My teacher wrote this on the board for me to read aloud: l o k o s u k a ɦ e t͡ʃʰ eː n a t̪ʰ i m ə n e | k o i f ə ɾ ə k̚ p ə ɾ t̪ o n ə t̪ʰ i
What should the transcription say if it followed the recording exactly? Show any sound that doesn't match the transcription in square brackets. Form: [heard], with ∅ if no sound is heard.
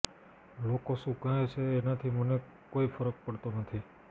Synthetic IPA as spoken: l o k o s u k a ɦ e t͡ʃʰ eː n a t̪ʰ i m ə n e | k o i f ə ɾ ə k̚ p ə [ɽ] t̪ o n ə t̪ʰ i